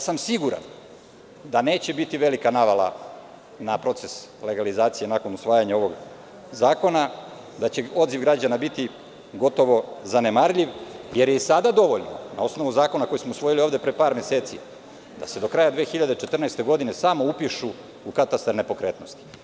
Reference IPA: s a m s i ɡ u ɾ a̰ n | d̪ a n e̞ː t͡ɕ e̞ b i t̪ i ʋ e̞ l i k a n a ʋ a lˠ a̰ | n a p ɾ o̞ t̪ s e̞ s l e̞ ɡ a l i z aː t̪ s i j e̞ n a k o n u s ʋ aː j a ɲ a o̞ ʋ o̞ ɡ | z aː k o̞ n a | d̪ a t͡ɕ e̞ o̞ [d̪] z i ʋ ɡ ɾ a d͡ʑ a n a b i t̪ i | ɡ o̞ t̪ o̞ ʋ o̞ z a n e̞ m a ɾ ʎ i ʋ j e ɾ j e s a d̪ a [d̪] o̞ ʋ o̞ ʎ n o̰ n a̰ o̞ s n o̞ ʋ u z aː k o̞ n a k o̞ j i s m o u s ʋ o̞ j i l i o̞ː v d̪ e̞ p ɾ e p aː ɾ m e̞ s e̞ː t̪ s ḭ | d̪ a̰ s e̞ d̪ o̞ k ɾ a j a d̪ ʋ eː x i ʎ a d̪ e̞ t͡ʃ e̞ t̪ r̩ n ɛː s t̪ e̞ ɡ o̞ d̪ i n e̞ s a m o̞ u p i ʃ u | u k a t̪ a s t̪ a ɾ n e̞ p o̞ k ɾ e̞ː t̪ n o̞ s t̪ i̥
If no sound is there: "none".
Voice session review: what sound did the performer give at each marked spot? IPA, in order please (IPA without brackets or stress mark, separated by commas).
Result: d̪, d̪